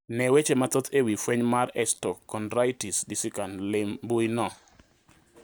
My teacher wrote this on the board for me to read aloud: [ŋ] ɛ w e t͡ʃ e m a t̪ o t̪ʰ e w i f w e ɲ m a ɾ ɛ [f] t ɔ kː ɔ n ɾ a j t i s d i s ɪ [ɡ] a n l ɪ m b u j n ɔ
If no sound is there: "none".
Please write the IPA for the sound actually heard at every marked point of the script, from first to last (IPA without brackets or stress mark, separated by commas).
n, s, k